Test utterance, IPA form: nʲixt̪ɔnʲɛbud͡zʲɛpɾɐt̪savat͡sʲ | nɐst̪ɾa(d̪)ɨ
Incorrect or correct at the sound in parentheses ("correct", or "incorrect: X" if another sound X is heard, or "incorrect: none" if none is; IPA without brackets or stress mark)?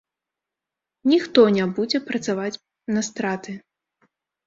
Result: incorrect: t̪